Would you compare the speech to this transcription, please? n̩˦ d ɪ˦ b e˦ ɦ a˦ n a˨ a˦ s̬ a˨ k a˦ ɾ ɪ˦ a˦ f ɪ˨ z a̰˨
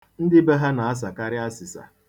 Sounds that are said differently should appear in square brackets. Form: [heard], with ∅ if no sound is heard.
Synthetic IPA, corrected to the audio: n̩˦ d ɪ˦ b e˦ ɦ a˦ n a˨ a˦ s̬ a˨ k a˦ ɾ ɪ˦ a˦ [s] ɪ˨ [s] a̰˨